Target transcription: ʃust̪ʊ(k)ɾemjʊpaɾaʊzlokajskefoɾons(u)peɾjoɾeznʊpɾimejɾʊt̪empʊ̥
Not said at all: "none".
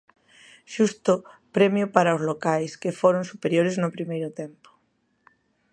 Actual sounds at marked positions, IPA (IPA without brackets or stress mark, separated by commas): p, u